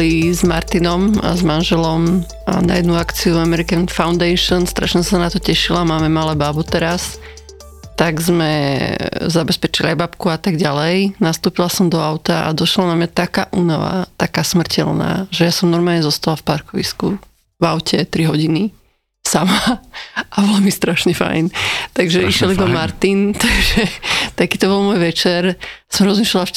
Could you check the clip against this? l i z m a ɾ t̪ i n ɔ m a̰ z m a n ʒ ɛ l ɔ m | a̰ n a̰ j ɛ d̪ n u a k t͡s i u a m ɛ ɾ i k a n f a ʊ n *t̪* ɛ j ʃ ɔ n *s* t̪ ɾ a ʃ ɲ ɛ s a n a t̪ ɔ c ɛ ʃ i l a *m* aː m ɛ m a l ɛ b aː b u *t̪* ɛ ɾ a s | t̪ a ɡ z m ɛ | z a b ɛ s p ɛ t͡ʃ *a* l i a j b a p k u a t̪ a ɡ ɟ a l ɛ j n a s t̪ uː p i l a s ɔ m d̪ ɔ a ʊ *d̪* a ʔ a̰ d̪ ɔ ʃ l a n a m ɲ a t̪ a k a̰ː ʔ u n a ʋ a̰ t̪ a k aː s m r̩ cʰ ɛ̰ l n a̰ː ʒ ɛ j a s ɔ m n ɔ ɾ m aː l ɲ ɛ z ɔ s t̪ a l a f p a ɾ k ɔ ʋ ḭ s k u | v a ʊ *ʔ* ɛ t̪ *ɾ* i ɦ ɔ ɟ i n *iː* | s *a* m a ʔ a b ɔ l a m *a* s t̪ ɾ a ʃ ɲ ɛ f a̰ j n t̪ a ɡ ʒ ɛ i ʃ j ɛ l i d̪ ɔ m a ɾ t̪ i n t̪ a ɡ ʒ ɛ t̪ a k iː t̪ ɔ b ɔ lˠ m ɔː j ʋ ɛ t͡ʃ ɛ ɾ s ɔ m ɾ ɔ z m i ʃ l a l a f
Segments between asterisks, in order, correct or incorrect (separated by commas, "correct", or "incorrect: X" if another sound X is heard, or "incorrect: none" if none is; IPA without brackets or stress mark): incorrect: d̪, correct, correct, correct, incorrect: i, incorrect: t̪, incorrect: c, correct, incorrect: i, correct, incorrect: i